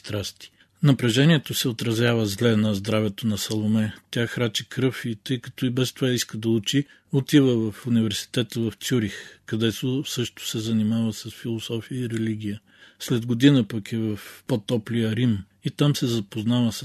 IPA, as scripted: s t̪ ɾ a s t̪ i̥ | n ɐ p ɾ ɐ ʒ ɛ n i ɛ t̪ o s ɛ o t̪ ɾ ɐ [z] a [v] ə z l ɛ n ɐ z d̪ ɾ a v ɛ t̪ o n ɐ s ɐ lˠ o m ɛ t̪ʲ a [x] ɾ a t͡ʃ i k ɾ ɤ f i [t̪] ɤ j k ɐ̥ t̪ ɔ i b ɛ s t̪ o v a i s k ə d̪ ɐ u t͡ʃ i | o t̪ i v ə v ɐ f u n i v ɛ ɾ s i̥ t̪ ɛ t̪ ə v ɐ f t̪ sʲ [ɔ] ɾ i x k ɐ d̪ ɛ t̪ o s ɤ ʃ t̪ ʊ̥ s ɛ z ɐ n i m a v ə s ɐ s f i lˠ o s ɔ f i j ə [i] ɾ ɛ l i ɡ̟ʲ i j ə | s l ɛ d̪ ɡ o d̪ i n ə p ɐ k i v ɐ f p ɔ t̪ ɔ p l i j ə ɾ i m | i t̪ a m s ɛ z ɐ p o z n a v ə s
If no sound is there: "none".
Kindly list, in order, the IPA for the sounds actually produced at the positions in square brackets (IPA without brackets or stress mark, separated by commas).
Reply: z, v, x, t̪, u, i